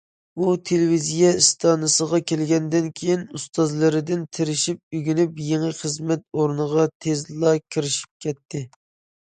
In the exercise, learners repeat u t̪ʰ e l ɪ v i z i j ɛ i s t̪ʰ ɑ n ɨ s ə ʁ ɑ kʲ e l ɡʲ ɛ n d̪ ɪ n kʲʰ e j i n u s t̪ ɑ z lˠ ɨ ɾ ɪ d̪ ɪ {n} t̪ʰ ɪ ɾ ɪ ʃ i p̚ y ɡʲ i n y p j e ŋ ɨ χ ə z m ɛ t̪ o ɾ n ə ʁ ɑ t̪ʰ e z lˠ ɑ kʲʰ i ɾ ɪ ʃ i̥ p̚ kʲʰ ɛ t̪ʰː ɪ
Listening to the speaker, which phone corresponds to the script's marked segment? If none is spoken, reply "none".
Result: n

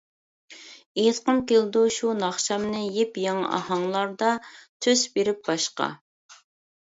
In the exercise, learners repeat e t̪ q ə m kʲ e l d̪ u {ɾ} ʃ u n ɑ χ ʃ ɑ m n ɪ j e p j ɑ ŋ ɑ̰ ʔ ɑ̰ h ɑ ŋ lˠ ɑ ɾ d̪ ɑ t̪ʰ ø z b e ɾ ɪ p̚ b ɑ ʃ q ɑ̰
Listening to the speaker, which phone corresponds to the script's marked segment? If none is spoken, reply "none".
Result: none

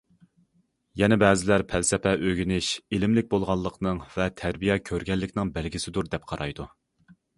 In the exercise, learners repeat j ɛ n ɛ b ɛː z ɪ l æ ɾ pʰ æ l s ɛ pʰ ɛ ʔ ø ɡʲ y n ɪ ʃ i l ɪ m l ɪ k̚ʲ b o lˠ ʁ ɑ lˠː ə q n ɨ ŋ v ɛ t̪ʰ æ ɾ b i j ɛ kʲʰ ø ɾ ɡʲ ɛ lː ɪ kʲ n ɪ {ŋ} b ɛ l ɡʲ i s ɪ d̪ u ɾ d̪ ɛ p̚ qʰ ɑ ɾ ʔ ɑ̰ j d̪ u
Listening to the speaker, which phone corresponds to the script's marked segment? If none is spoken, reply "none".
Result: ŋ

